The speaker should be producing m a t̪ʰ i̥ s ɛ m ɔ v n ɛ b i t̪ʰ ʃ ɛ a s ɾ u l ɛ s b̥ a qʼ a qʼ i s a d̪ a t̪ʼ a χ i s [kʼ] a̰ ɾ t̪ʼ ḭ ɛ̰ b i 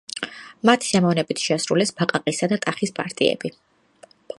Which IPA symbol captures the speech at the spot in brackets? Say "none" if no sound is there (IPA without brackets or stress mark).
pʼ